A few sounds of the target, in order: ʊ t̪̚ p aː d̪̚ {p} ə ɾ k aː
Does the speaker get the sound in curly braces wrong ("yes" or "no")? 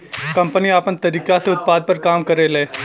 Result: no